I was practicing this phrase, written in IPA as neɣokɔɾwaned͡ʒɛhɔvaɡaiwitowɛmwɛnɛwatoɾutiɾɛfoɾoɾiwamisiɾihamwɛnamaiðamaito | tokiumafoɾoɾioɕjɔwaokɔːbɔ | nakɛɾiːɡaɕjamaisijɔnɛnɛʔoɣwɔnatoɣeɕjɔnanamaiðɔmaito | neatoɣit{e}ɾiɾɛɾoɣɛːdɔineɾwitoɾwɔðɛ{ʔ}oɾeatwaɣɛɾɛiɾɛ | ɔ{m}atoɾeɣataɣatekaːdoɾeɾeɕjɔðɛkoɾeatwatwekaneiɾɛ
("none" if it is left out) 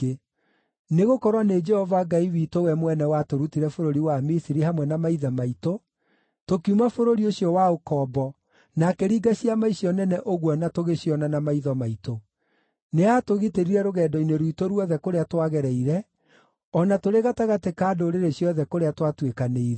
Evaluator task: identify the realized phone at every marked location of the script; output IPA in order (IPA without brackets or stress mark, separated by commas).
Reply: e, k, n